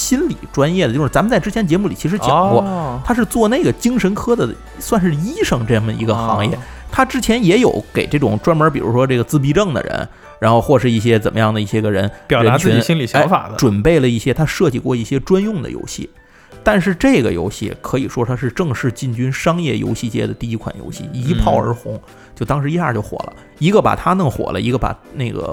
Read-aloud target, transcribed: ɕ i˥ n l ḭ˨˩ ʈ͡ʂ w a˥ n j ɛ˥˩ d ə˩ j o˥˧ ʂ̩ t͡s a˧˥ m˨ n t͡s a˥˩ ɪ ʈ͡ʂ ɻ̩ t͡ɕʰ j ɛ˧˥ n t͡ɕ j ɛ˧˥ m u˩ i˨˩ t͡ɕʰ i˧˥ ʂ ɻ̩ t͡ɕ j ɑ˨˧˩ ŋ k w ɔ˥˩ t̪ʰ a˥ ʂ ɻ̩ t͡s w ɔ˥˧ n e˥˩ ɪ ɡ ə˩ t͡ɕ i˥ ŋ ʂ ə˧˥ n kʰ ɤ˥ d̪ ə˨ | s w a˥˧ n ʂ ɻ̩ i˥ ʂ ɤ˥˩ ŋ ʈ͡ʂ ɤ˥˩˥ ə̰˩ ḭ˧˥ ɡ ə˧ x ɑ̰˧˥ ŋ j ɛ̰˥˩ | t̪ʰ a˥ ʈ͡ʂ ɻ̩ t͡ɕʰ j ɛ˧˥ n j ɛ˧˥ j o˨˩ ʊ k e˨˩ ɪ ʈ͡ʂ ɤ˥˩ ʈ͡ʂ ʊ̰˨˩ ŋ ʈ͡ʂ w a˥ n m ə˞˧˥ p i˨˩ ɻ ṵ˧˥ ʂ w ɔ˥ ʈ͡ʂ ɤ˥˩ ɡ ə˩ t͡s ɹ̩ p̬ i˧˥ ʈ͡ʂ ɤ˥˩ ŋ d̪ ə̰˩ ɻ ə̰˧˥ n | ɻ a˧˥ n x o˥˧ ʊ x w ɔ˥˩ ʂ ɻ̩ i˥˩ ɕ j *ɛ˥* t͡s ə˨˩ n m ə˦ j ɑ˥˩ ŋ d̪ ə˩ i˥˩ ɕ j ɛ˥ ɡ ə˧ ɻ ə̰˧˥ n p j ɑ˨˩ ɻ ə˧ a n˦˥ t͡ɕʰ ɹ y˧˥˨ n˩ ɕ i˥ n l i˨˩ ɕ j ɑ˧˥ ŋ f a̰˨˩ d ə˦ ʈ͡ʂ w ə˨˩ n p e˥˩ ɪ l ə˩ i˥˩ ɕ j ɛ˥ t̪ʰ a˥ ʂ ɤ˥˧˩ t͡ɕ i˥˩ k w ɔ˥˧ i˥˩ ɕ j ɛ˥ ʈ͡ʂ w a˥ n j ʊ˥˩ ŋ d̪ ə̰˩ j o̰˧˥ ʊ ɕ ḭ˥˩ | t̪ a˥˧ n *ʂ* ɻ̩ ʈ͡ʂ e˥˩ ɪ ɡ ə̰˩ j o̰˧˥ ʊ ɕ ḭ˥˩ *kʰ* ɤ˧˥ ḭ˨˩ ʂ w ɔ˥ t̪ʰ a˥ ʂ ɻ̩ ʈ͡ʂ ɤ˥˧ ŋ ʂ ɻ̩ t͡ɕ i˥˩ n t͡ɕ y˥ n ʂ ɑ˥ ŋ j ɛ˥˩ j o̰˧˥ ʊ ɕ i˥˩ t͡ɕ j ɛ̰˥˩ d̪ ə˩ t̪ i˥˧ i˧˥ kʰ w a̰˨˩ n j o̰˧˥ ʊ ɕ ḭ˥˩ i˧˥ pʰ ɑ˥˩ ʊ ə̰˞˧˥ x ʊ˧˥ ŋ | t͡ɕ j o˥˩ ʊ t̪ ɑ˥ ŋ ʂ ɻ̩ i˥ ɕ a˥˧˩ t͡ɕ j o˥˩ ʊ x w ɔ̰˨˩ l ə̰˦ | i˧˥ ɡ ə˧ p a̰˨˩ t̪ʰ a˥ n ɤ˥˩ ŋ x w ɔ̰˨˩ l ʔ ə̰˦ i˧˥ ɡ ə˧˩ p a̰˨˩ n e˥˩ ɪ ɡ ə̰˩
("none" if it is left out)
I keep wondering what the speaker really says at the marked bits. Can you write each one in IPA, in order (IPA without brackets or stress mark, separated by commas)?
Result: ɛ˥, ʂ, kʰ